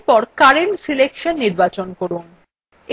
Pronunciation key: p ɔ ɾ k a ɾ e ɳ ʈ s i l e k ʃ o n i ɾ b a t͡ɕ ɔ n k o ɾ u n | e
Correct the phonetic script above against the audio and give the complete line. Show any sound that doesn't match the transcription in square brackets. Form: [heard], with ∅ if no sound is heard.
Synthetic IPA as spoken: p ɔ ɾ k a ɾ e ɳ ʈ s i l e k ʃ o [nː] i ɾ b a t͡ɕ [o] n k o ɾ u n | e